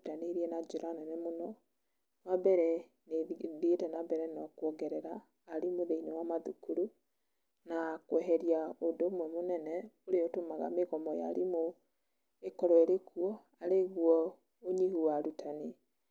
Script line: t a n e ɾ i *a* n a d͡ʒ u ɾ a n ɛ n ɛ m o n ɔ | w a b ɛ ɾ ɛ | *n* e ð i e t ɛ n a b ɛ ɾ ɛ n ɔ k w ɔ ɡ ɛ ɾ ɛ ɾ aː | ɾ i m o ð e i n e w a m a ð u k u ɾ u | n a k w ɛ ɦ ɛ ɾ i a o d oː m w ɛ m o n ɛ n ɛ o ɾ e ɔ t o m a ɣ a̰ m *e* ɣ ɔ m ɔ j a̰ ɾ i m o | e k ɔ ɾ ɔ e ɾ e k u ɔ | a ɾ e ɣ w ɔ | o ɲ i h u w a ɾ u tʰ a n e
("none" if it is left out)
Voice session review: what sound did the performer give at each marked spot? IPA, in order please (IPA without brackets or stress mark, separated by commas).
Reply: ɛ, n, e